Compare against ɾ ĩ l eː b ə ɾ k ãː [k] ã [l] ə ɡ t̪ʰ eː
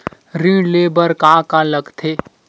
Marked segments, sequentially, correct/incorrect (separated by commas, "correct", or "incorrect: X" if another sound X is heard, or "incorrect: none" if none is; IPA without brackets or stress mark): correct, correct